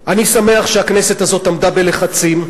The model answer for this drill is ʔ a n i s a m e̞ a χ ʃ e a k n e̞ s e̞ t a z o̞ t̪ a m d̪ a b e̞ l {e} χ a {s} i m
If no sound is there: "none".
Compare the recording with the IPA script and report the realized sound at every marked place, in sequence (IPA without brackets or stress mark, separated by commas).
e, t͡s